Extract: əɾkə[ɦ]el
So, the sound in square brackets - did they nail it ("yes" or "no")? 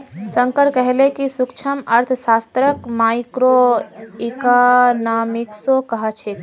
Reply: yes